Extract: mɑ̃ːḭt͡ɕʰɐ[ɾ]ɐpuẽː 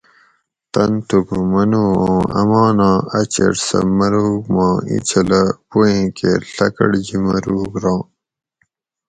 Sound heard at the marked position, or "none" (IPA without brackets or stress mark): l